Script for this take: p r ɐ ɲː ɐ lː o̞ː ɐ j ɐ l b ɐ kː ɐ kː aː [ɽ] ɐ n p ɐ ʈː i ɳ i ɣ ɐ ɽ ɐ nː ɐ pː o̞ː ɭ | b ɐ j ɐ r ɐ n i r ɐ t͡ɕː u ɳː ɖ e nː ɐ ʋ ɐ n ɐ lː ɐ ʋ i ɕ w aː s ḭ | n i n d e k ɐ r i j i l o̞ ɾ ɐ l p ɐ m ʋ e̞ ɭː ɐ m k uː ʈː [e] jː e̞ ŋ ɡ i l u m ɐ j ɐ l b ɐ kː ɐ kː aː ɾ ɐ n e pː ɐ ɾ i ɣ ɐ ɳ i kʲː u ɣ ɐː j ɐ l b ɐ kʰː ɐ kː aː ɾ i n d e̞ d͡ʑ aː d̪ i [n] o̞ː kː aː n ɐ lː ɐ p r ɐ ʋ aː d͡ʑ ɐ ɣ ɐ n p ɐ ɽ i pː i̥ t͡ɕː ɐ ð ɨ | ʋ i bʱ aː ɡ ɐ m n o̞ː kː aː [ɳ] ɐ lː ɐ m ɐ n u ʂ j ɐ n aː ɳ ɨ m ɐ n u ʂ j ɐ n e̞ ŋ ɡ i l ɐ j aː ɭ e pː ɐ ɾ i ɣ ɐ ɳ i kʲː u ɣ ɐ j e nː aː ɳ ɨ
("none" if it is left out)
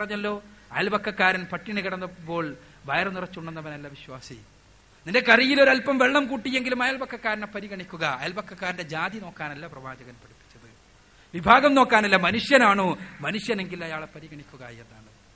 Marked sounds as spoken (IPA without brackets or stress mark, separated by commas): ɾ, i, n, n